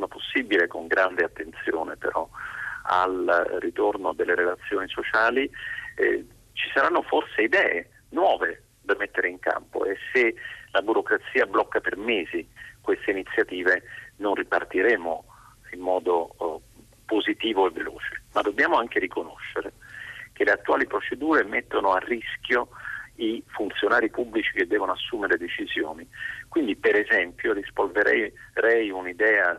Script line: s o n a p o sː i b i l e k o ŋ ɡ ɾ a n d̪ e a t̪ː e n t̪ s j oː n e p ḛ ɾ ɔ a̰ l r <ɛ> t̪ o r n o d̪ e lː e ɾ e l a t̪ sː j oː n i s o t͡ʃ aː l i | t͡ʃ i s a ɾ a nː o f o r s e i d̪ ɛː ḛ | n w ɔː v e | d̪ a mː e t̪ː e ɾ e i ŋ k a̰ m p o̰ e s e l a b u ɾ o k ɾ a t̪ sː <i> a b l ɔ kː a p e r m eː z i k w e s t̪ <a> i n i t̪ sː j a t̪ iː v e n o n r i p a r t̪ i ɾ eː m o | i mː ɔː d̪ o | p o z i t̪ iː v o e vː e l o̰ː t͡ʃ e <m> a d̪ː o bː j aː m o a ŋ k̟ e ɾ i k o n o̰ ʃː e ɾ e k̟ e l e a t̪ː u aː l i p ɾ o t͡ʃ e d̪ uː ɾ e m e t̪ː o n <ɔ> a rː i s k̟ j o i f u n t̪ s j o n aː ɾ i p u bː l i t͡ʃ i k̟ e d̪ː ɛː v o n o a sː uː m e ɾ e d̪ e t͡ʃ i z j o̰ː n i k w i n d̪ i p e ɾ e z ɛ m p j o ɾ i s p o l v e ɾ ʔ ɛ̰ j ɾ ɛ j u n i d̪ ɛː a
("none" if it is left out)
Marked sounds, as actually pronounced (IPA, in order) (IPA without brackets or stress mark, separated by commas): i, iː, e, m, o